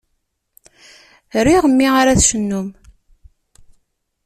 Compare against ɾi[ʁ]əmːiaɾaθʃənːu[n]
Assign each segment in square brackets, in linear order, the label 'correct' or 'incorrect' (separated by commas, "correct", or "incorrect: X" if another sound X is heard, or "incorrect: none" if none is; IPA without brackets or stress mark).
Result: correct, incorrect: m